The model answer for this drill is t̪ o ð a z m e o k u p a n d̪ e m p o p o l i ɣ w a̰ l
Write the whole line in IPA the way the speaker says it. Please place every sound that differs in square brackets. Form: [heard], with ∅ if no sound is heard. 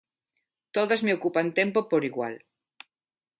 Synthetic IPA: t̪ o ð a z m e o k u p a n [t̪] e m p o p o [ɾ] i ɣ w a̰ l